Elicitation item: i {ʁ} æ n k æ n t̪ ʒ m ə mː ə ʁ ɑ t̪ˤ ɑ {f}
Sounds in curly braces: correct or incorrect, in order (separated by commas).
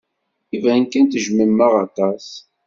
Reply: incorrect, incorrect